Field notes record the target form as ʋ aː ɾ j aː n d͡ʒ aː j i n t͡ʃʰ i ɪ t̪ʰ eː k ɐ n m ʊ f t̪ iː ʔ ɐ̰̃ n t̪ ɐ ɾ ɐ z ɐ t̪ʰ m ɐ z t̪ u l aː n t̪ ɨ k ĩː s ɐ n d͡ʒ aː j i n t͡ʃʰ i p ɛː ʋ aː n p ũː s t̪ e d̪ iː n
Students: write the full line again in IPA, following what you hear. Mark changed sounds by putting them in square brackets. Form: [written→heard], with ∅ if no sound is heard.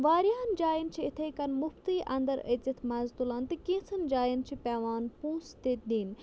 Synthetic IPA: ʋ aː ɾ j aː n d͡ʒ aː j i n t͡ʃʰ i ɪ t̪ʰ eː k ɐ n m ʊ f t̪ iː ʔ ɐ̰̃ n [t̪→d̪] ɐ ɾ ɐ z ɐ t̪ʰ m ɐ z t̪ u l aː n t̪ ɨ k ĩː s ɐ n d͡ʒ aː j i n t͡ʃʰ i p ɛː ʋ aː n p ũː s t̪ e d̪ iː n